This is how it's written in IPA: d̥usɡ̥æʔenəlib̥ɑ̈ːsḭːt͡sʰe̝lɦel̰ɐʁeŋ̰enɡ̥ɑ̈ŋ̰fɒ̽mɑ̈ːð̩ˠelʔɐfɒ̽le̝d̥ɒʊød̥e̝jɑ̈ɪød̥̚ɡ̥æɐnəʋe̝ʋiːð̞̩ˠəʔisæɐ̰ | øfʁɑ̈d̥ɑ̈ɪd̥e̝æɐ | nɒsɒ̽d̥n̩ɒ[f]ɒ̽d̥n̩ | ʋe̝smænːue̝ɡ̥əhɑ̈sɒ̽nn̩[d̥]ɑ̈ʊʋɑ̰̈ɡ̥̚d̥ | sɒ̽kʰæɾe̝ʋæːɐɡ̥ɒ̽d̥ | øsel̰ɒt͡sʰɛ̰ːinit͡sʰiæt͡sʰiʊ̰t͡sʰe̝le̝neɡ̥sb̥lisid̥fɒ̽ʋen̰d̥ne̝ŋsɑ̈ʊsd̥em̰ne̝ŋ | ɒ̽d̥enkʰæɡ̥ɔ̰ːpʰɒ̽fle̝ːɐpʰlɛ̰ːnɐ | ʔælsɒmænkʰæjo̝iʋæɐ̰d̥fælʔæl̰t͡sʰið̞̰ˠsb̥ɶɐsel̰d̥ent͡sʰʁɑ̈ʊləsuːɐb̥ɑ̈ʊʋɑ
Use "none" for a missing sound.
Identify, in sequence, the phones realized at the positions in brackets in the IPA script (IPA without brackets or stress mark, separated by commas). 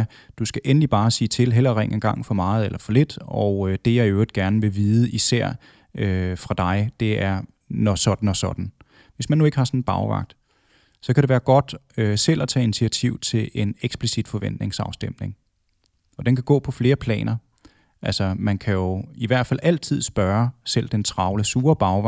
s, b̥